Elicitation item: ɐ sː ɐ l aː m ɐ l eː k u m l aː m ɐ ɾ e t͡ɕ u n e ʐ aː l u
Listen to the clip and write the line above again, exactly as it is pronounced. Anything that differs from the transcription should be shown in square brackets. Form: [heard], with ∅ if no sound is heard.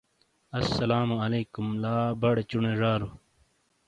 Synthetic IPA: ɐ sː ɐ l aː m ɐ l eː k u m l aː [b] ɐ [ɽ] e t͡ɕ u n e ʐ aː [ɾ] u